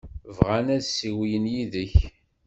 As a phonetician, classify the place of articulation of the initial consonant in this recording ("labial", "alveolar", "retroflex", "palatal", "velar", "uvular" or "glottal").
labial